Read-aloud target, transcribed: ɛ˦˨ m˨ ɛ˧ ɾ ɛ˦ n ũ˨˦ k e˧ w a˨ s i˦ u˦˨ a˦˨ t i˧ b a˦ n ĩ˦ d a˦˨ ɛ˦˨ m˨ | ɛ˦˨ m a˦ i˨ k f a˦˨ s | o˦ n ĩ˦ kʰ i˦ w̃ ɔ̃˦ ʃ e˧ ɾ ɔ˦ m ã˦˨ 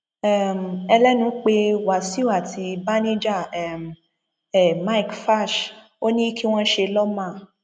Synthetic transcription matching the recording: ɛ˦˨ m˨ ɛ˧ l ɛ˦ n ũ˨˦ k͡p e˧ w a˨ s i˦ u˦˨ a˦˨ t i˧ b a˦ n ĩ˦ d͡ʒ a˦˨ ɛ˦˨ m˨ | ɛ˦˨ m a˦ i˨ k f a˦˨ ʃ | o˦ n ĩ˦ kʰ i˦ w̃ ɔ̃˦ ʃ e˧ l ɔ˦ m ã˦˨